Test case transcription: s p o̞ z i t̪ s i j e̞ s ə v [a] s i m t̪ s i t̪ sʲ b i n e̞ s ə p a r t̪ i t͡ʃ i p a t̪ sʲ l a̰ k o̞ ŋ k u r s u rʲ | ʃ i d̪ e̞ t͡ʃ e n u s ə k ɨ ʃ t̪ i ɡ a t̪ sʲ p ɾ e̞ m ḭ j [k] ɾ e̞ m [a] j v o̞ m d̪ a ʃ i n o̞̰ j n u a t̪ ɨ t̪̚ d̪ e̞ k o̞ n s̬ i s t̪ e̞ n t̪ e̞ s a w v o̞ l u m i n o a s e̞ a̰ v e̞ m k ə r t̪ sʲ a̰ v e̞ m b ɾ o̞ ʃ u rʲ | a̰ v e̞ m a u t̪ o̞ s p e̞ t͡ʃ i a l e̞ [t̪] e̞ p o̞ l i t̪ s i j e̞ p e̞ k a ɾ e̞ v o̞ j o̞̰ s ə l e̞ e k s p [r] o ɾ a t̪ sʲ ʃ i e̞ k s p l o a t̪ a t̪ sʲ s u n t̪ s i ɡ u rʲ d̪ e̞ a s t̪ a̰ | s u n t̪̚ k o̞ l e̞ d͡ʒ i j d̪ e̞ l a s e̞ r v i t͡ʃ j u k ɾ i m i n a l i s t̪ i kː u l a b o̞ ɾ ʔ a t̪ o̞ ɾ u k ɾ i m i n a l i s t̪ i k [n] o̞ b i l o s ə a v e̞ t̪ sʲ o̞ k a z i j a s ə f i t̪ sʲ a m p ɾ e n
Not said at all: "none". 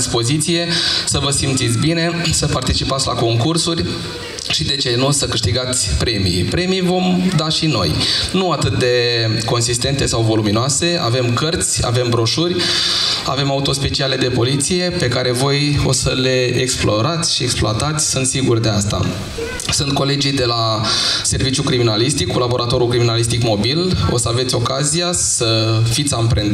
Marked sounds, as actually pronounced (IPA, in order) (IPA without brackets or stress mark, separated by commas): ə, p, i, d̪, l, m